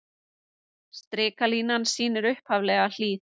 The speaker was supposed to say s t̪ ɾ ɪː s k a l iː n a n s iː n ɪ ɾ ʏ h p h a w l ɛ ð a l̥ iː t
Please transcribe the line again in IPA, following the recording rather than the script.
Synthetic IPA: s t̪ ɾ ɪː k a l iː n a n s iː n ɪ ɾ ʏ h p h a v l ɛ ɣ a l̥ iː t